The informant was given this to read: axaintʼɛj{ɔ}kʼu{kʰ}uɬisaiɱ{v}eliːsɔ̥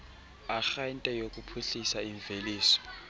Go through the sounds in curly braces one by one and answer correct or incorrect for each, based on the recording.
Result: incorrect: o, incorrect: pʰ, correct

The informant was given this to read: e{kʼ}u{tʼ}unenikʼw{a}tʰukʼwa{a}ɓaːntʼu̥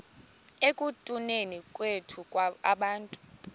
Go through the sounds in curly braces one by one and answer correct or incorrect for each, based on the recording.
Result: correct, correct, incorrect: e, correct

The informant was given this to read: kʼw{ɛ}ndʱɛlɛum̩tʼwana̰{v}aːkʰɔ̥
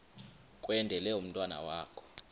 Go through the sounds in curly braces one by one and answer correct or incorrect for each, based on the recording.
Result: correct, incorrect: w

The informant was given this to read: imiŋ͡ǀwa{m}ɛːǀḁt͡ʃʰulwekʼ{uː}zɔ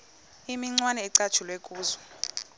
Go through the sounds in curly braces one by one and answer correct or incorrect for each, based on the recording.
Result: incorrect: n, correct

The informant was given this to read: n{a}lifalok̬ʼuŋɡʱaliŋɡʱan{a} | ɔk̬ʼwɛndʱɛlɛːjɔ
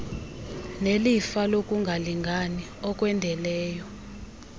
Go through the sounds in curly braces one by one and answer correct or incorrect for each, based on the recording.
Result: incorrect: e, incorrect: i

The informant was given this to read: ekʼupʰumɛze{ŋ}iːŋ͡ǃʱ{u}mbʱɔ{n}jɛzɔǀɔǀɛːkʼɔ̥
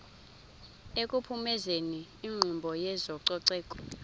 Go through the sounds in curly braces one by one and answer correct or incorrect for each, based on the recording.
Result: incorrect: n, correct, incorrect: none

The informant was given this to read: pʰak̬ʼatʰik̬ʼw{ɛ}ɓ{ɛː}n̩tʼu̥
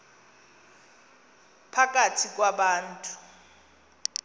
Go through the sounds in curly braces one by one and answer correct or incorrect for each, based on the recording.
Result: incorrect: a, incorrect: aː

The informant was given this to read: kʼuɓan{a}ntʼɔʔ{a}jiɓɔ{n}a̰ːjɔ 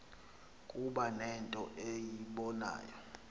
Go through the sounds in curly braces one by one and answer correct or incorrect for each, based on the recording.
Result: incorrect: ɛ, incorrect: e, correct

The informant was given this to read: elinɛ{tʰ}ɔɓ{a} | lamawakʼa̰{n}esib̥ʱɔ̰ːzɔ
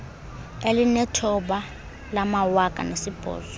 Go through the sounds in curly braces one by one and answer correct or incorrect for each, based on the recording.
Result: correct, correct, correct

